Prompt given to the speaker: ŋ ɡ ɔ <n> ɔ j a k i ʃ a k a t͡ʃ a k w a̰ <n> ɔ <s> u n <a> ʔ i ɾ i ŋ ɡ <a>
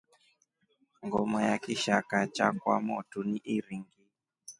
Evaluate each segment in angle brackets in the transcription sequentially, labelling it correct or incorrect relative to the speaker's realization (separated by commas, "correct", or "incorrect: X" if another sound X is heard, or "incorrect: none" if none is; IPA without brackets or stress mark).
incorrect: m, incorrect: m, incorrect: t, incorrect: i, incorrect: i